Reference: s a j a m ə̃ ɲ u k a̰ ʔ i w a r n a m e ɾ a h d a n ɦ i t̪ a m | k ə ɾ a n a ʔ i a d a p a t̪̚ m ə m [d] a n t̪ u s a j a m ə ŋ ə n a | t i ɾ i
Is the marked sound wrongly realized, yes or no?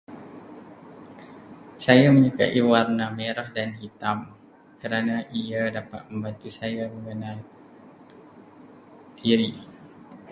yes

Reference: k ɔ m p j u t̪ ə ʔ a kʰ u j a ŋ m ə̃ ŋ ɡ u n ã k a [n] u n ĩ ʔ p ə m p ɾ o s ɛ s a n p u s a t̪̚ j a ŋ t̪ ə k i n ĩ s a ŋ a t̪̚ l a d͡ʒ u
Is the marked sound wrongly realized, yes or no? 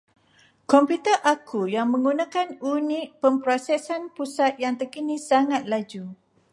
no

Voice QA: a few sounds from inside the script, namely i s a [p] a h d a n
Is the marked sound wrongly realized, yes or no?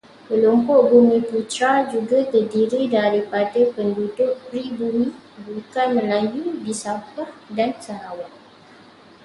no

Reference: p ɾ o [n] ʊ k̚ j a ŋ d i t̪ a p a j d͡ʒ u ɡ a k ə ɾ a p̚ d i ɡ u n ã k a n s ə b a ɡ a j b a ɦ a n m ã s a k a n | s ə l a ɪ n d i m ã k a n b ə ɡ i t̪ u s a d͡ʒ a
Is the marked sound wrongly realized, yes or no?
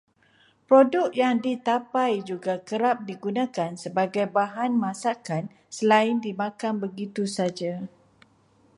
yes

